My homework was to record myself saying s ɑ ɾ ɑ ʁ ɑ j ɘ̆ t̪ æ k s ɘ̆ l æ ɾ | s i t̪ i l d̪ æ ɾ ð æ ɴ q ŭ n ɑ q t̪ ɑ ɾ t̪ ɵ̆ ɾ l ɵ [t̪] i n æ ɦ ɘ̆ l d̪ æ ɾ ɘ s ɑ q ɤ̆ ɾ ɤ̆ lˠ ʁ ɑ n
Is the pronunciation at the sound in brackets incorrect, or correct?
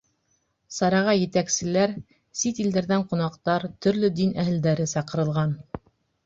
incorrect